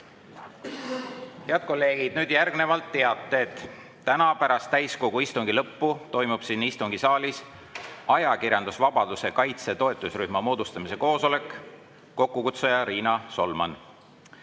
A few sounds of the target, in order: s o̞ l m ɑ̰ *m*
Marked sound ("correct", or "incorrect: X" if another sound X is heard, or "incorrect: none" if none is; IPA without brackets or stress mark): incorrect: n